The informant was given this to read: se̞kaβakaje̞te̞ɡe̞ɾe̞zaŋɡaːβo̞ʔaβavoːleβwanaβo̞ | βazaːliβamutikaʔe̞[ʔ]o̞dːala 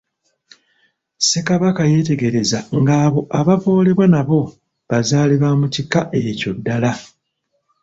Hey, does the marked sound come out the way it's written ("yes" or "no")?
no